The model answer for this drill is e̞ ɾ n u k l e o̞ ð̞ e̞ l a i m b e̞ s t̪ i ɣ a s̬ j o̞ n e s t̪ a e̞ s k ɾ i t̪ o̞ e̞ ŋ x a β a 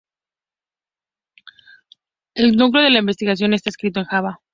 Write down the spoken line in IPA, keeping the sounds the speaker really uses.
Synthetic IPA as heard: e̞ l n u k l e o̞ ð̞ e̞ l a i m b e̞ s t̪ i ɣ a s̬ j o̞ n e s t̪ a e̞ s k ɾ i t̪ o̞ e̞ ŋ x a β a

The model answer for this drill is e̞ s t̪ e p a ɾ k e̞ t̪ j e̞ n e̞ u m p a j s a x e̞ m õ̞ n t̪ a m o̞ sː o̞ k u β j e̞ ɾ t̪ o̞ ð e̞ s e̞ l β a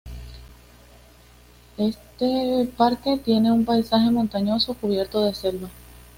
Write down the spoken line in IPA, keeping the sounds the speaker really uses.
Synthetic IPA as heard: e̞ s t̪ e p a ɾ k e̞ t̪ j e̞ n e̞ u m p a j s a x e̞ m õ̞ n t̪ a ɲ o̞ s o̞ k u β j e̞ ɾ t̪ o̞ ð e̞ s e̞ l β a

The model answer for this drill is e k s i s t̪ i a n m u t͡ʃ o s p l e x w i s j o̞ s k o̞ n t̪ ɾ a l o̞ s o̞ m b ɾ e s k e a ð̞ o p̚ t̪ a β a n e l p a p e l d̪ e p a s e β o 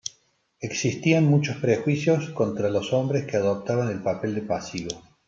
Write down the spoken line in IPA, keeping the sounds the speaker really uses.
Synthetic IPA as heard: e k s i s t̪ i a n m u t͡ʃ o s p ɾ e x w i s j o̞ s k o̞ n t̪ ɾ a l o̞ s o̞ m b ɾ e s k e a ð̞ o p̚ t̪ a β a n e l p a p e l d̪ e p a s i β o

